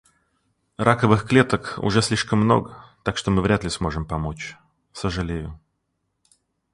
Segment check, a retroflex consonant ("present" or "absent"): present